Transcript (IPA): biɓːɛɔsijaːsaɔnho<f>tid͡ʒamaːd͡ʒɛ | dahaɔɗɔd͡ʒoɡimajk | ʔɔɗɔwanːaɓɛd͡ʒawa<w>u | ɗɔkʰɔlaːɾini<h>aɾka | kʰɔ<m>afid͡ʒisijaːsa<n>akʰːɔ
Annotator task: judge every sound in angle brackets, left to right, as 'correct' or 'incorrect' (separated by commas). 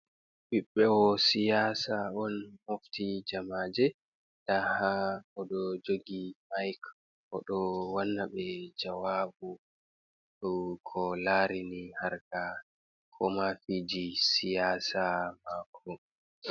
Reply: correct, incorrect, correct, correct, incorrect